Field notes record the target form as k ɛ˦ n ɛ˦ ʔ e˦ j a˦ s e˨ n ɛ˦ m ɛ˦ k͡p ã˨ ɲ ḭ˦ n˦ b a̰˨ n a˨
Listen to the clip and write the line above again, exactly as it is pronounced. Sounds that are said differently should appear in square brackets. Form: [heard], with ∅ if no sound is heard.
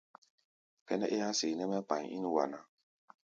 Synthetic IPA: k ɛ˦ n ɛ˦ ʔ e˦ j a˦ s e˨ n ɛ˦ m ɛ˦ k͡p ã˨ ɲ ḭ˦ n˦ [w] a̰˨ n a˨

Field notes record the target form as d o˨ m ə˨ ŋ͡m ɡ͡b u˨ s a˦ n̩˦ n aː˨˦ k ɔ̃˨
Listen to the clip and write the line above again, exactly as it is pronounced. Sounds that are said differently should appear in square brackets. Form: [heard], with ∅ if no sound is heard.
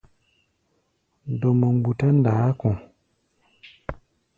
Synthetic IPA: d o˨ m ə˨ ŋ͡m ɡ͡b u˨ [t] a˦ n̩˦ [d] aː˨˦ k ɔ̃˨

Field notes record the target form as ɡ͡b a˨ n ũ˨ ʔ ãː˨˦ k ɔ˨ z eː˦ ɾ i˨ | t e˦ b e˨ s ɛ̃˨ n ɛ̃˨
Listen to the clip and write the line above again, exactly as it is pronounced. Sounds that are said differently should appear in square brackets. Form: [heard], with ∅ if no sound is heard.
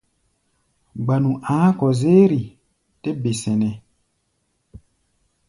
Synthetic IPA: ɡ͡b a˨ n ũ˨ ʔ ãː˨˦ k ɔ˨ z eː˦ ɾ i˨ | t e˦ b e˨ s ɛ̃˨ n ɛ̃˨

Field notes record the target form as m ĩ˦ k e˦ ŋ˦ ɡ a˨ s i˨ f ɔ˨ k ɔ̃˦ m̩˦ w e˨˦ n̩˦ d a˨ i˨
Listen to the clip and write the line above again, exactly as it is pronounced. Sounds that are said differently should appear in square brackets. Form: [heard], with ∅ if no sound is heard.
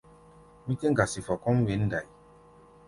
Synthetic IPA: m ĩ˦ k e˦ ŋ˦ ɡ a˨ s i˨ f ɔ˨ k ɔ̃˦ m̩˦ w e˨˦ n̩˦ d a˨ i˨

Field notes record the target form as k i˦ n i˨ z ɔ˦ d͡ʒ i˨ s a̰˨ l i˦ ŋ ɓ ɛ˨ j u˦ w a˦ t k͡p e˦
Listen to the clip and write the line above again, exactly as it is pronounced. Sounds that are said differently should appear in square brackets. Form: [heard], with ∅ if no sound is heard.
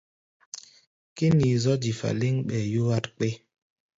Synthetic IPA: k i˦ n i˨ z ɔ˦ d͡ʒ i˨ [f] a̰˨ l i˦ ŋ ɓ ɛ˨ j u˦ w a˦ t k͡p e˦

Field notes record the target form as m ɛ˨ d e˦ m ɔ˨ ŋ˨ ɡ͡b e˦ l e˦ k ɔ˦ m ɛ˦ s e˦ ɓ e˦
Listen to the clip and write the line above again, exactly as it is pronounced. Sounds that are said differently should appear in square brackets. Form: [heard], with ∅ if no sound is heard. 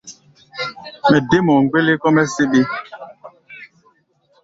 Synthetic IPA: m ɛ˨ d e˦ m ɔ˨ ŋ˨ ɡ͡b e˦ l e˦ k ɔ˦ m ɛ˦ s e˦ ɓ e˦

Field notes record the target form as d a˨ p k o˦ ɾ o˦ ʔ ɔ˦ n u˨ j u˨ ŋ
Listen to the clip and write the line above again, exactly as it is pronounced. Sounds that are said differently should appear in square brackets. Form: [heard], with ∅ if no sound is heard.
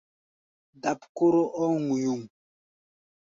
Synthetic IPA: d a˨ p k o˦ ɾ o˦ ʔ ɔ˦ [ŋ] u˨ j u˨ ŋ

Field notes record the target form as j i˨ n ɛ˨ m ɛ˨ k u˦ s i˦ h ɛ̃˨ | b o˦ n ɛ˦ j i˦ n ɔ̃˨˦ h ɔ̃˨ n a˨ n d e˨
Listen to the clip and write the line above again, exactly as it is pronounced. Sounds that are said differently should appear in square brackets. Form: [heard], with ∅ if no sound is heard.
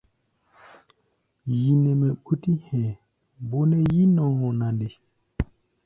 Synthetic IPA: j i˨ n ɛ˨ m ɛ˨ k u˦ [t] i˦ h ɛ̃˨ | b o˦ n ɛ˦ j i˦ n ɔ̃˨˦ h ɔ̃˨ n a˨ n d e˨

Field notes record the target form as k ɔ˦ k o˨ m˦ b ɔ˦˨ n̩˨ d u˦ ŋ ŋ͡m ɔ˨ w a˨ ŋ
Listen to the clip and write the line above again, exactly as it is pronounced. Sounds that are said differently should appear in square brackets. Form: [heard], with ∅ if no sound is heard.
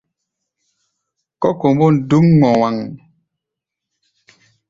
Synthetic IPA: k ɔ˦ k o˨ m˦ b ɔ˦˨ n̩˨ d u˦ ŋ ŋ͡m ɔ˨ w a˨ ŋ

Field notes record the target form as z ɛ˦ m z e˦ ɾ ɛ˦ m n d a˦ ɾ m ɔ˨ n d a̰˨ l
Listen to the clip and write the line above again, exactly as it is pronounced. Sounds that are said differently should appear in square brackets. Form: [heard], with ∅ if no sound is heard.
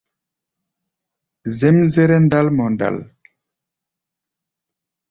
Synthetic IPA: z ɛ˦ m z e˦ ɾ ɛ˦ [∅] n d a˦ [l] m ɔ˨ n d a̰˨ l

